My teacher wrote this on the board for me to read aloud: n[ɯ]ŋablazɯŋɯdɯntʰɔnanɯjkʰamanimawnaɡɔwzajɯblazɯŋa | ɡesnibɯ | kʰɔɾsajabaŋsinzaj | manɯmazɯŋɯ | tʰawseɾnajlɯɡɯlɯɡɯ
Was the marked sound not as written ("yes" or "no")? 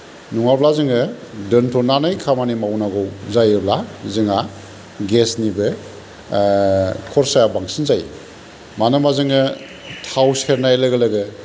yes